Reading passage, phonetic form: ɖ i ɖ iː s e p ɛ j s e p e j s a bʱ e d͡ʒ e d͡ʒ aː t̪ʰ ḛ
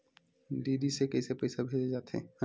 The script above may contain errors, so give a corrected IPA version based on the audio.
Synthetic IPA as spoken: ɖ i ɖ i s e k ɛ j s e p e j s a bʱ e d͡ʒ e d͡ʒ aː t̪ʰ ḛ